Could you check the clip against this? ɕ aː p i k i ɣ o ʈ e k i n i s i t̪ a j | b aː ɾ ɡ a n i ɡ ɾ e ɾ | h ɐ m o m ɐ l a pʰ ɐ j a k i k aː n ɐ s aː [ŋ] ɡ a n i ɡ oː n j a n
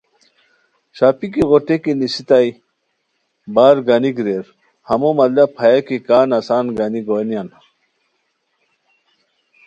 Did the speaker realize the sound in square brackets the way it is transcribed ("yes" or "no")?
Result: no